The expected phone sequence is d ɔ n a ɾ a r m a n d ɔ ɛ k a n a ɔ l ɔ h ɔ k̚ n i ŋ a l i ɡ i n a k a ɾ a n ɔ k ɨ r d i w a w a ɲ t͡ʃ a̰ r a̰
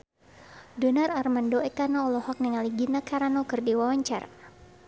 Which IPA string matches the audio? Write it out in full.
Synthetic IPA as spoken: d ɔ n a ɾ a r m a n d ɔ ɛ k a n a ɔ l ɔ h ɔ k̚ n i ŋ a l i ɡ i n a k a ɾ a n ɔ k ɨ r d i w a w a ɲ t͡ʃ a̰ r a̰

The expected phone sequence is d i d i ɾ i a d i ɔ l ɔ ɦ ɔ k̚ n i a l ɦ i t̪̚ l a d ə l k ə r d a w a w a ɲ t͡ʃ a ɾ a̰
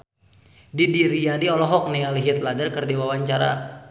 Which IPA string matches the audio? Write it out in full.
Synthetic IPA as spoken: d i d i ɾ i a d i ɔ l ɔ ɦ ɔ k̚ n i a l ɦ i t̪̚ l a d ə r k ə r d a w a w a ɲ t͡ʃ a ɾ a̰

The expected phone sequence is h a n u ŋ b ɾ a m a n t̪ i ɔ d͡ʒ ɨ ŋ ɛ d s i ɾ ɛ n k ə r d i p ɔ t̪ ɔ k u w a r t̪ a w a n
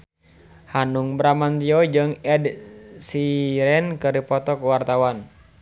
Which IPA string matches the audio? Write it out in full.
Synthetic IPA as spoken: h a n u ŋ b ɾ a m a n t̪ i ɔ d͡ʒ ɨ ŋ ɛ d s i ɾ ɛ n k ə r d i p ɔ t̪ ɔ k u w a r t̪ a w a n

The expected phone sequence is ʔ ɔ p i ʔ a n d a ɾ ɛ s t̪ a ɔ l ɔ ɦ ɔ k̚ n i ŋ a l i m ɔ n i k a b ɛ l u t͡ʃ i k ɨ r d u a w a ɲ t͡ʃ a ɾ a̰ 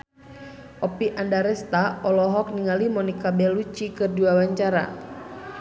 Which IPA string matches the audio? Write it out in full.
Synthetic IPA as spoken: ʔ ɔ p i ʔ a n d a ɾ ɛ s t̪ a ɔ l ɔ ɦ ɔ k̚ n i ŋ a l i m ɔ n i k a b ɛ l u t͡ʃ i k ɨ r d u a w a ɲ t͡ʃ a ɾ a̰

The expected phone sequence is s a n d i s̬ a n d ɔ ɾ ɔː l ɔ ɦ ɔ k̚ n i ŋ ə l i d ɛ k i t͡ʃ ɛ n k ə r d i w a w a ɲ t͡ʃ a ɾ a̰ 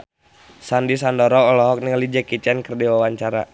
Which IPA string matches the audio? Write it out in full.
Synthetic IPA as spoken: s a n d i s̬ a n d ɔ ɾ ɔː l ɔ ɦ ɔ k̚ n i ŋ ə l i d͡ʒ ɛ k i t͡ʃ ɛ n k ə r d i w a w a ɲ t͡ʃ a ɾ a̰

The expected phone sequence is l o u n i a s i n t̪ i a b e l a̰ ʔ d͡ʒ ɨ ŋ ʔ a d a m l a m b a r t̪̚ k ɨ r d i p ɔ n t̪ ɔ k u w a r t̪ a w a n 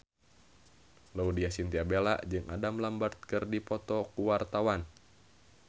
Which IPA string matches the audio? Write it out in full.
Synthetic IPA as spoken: l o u d i a s i n t̪ i a b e l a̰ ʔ d͡ʒ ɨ ŋ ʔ a d a m l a m b a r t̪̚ k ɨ r d i p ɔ t̪ ɔ k u w a r t̪ a w a n

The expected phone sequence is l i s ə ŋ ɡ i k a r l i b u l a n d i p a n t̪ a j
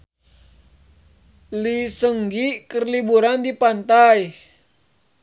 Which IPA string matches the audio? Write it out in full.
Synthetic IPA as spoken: l i s ə ŋ ɡ i k ə r l i b u ɾ a n d i p a n t̪ a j

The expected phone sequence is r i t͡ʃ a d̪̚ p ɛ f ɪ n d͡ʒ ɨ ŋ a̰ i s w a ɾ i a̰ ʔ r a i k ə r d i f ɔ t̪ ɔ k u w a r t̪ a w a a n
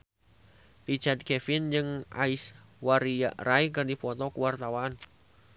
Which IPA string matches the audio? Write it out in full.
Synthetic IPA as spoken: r i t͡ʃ a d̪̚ k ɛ f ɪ n d͡ʒ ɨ ŋ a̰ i s w a ɾ i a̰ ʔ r a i k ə r d i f ɔ t̪ ɔ k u w a r t̪ a w a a n

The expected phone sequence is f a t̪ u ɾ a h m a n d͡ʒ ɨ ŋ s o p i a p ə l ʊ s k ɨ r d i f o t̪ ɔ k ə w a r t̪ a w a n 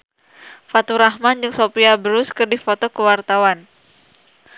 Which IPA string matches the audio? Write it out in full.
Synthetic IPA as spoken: f a t̪ u ɾ a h m a n d͡ʒ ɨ ŋ s o p i a b ə ɾ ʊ s k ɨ r d i f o t̪ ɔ k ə w a r t̪ a w a n

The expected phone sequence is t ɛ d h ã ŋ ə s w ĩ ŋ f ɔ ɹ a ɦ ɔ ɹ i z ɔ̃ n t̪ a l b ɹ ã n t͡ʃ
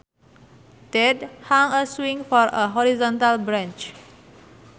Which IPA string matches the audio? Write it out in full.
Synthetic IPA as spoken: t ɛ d h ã ŋ ə s w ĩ ŋ f ɔ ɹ ə ɦ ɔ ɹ i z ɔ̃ n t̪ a l b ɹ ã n t͡ʃ

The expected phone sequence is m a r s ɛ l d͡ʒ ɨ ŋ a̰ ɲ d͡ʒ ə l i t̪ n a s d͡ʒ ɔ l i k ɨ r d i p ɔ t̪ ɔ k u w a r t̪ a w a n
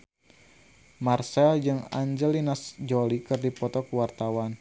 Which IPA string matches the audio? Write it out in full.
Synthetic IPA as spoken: m a r s ɛ l d͡ʒ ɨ ŋ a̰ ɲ d͡ʒ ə l i n a s d͡ʒ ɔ l i k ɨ r d i p ɔ t̪ ɔ k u w a r t̪ a w a n

